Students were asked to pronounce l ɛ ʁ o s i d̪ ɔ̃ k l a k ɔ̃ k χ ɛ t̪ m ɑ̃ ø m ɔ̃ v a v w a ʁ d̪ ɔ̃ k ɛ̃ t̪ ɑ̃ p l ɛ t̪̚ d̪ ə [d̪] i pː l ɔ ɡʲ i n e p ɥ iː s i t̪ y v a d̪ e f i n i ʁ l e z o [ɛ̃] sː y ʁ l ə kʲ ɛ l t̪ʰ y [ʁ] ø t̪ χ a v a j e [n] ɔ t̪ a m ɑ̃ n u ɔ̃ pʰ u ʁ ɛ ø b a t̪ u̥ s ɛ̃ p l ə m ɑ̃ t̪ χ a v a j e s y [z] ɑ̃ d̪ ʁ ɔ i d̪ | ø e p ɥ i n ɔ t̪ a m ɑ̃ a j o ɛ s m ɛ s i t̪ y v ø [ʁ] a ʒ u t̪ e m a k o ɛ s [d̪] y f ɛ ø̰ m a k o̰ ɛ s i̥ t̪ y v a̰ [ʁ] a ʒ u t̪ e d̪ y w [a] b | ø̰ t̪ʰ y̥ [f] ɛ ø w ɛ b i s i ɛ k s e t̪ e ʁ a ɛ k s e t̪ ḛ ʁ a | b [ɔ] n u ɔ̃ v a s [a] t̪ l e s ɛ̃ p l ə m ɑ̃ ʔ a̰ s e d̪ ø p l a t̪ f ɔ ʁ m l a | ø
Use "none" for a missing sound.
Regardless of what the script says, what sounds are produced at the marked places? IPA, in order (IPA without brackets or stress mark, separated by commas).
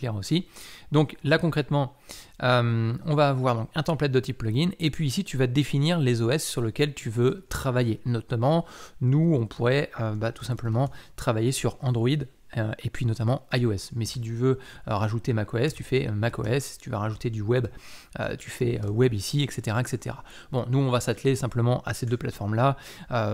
t̪, ɛ, v, n, ʁ, ʁ, t̪, ʁ, ɛ, f, ɔ̃, a